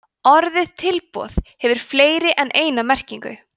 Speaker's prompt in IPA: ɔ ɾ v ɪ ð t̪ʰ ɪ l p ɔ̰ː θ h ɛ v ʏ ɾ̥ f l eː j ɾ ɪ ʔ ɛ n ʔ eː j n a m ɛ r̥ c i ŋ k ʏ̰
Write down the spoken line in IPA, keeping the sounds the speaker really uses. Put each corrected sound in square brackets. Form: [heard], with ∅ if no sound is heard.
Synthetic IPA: ɔ ɾ [ð] ɪ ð t̪ʰ ɪ l p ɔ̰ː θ h ɛ v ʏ ɾ̥ f l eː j ɾ ɪ ʔ ɛ n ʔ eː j n a m ɛ r̥ c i ŋ k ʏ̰